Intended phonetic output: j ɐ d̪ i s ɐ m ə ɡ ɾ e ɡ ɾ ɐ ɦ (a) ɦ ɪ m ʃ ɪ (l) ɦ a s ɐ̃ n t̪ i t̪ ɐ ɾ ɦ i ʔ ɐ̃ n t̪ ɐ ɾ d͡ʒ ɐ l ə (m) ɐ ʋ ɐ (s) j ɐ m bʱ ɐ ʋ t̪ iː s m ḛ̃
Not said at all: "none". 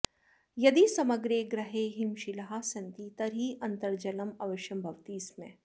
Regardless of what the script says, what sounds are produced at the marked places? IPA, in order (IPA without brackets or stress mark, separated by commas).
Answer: e, l, m, ʃ